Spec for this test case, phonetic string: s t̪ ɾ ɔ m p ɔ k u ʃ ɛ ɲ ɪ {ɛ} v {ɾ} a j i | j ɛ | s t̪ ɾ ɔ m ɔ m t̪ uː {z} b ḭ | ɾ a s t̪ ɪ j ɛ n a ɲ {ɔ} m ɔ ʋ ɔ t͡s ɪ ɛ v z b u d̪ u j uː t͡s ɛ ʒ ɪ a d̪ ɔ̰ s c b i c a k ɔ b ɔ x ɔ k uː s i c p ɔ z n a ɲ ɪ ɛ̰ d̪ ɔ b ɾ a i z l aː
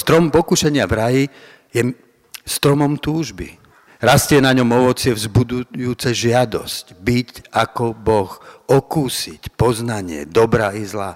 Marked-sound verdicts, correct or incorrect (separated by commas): incorrect, correct, incorrect, correct